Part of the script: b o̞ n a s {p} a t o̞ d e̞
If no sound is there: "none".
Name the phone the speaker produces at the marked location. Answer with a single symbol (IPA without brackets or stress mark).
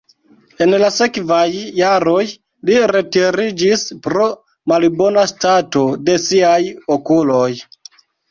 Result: t